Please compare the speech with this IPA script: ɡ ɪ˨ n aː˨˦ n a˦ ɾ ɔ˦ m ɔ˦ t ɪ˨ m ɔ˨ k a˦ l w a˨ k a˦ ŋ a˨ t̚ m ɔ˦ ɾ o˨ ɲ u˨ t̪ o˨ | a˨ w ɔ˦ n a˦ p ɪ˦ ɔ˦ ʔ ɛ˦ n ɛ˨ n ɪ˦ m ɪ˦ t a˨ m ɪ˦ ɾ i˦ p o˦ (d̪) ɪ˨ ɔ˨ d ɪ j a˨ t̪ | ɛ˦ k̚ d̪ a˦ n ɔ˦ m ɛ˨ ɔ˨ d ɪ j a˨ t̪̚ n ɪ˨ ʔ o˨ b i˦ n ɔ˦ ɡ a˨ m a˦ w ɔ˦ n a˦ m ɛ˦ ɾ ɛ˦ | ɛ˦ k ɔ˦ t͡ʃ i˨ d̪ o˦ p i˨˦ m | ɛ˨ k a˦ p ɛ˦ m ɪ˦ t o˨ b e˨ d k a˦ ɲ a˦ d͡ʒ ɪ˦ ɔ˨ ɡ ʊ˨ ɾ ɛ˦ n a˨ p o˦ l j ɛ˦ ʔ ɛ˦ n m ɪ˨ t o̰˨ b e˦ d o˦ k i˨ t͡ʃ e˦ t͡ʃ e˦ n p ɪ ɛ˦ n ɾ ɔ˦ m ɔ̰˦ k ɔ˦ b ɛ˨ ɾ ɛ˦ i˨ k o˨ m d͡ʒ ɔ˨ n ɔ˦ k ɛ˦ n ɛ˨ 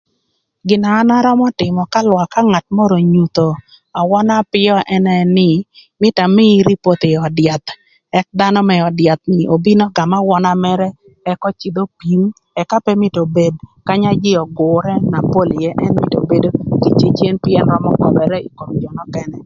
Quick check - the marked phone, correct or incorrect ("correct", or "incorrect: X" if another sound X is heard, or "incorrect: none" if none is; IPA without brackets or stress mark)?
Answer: incorrect: t̪